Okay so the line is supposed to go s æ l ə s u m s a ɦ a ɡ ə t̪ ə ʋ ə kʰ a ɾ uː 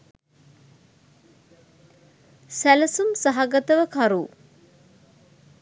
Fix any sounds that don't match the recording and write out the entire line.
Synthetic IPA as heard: s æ l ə s u m s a ɦ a ɡ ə t̪ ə ʋ ə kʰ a ɾ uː